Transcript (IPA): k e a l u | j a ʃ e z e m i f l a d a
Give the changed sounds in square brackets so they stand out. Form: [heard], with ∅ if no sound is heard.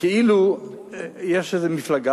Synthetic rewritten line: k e [i] l u | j [e] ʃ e z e m i f l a [ɡ] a